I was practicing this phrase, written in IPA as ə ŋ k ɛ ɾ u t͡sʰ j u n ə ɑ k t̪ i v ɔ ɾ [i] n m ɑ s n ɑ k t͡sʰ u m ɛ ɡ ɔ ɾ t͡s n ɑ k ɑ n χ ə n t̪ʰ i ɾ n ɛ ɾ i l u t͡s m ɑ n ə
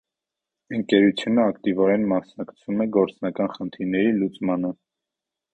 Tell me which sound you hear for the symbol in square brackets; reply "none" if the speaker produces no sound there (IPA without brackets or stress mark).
ɛ